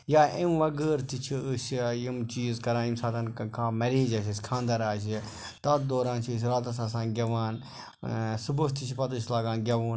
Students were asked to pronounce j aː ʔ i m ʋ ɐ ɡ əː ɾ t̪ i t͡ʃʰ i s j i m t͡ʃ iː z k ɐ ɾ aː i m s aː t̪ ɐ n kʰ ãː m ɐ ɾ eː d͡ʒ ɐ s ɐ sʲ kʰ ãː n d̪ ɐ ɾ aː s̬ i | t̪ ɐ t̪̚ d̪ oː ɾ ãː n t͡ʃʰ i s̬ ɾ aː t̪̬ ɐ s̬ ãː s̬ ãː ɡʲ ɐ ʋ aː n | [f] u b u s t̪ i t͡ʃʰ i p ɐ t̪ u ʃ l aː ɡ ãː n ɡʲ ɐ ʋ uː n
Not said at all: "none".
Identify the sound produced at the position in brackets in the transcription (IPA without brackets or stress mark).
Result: s